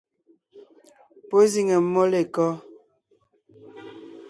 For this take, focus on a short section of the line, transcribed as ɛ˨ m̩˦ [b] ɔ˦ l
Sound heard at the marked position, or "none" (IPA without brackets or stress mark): m